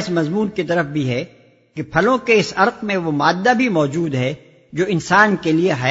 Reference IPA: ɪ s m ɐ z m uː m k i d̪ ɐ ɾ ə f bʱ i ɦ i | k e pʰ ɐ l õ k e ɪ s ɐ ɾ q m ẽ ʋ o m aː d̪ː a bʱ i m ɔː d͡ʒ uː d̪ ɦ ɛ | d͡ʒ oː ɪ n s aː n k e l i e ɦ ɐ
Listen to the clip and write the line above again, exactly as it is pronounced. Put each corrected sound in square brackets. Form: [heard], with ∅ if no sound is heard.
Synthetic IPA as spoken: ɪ s m ɐ z m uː [n] k i [t̪] ɐ ɾ ə f bʱ i ɦ [ɛ] | k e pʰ ɐ l õ k e ɪ s ɐ ɾ q m ẽ ʋ o m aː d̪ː a bʱ i m ɔː d͡ʒ uː d̪ ɦ ɛ | d͡ʒ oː ɪ n s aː n k e l i e ɦ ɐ